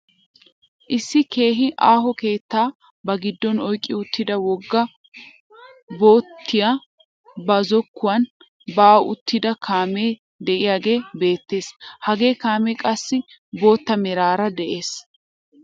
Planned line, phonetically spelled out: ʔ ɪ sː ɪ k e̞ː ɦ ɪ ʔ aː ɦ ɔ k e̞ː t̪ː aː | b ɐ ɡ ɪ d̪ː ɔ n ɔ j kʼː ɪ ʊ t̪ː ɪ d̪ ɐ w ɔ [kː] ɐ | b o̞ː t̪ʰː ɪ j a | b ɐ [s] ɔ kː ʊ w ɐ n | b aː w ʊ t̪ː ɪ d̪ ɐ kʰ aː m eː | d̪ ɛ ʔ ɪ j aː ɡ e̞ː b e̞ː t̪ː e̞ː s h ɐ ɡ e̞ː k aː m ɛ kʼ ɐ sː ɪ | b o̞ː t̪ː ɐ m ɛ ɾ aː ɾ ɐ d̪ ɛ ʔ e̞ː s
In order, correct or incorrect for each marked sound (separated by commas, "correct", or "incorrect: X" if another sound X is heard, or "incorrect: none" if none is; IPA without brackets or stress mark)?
incorrect: ɡː, incorrect: z